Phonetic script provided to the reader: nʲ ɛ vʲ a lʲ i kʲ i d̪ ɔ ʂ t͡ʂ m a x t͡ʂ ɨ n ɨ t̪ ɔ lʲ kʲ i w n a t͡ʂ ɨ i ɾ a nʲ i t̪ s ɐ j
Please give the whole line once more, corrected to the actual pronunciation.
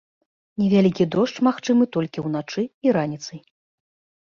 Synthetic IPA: nʲ ɛ vʲ a lʲ i kʲ i d̪ ɔ ʂ t͡ʂ m a x t͡ʂ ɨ m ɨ t̪ ɔ lʲ kʲ i w n a t͡ʂ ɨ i ɾ a nʲ i t̪ s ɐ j